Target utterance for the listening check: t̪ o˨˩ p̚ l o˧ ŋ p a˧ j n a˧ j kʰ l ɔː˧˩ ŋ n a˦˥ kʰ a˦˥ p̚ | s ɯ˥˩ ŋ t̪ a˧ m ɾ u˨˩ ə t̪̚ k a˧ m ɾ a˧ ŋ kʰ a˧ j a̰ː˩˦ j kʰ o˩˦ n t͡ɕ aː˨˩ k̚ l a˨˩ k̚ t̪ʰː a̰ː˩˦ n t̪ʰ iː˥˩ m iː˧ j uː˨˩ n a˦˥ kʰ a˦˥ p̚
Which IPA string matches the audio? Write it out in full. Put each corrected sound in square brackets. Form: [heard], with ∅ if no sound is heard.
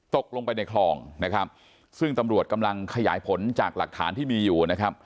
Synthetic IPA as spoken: t̪ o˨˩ [k̚] l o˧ ŋ p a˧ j n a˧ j kʰ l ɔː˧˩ ŋ n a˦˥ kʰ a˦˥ p̚ | s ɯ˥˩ ŋ t̪ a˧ m ɾ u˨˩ ə t̪̚ k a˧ m [l] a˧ ŋ kʰ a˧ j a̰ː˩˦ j [pʰ] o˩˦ n t͡ɕ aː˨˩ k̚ l a˨˩ k̚ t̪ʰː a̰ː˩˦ n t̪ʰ iː˥˩ m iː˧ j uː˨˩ n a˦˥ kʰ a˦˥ p̚